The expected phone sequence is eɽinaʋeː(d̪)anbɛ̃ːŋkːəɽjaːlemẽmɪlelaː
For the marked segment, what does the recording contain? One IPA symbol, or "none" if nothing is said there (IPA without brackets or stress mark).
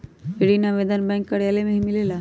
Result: d̪